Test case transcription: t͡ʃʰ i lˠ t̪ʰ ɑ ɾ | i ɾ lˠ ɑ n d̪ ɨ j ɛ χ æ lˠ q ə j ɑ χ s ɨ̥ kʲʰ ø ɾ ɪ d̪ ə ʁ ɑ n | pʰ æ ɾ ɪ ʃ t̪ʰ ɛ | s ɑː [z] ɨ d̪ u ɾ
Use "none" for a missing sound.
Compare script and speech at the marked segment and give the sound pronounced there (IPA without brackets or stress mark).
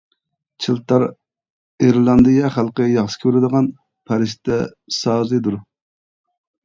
z